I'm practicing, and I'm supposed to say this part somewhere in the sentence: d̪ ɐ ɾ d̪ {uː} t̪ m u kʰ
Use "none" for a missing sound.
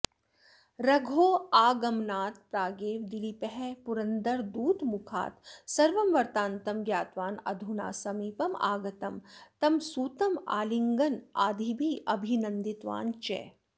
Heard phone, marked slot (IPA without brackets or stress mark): uː